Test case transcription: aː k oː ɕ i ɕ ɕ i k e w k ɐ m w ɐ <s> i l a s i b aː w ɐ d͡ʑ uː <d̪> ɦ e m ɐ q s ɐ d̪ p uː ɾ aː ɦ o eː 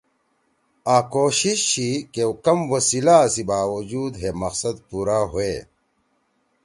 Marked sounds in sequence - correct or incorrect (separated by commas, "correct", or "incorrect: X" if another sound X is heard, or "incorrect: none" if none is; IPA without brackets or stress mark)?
correct, correct